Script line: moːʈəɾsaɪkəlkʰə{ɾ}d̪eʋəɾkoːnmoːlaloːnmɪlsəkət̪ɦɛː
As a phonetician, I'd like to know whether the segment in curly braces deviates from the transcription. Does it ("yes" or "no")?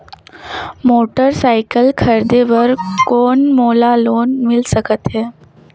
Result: no